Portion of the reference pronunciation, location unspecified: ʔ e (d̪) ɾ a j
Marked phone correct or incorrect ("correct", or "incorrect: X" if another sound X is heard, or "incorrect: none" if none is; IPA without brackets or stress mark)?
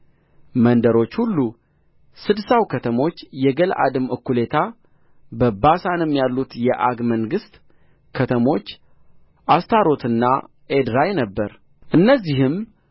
correct